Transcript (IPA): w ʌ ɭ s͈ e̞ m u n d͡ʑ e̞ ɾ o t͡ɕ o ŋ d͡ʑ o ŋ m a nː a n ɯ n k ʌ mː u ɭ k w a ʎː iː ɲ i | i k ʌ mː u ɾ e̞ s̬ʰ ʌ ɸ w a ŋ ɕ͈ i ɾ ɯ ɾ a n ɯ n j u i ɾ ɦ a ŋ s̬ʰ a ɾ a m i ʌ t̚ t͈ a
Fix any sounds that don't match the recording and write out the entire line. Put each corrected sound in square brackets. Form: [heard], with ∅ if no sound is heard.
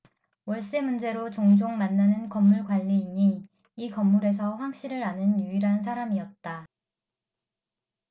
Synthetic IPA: w ʌ ɭ s͈ e̞ m u n d͡ʑ e̞ ɾ o t͡ɕ o ŋ d͡ʑ o ŋ m a nː a n ɯ n k ʌ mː u ɭ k w a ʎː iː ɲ i | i k ʌ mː u ɾ e̞ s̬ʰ ʌ ɸ w a ŋ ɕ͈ i ɾ ɯ ɾ a n ɯ n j u i ɾ ɦ a [n] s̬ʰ a ɾ a m i ʌ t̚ t͈ a